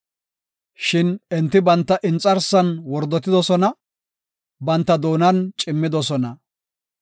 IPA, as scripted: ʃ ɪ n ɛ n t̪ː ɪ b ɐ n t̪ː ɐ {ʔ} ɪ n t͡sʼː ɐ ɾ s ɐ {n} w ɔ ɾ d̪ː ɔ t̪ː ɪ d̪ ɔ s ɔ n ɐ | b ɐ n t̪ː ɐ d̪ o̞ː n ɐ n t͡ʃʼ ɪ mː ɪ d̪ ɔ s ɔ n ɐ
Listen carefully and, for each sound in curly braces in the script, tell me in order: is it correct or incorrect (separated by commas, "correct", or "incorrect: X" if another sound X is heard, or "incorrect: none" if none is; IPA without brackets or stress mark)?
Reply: correct, correct